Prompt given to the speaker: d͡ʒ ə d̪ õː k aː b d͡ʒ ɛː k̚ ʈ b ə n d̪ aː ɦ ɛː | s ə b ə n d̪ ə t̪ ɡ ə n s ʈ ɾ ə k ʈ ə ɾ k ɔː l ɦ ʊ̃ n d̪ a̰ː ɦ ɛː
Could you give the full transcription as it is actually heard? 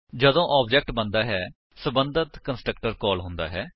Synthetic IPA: d͡ʒ ə d̪ õː ʔ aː b d͡ʒ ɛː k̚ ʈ b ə n d̪ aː ɦ ɛː | s ə b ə n d̪ ə t̪ k ə n s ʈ ɾ ə k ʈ ə ɾ k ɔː l ɦ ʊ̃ n d̪ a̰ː ɦ ɛː